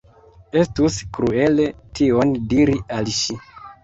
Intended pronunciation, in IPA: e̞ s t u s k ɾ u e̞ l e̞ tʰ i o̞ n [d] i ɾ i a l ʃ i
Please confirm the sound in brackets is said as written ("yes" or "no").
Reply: yes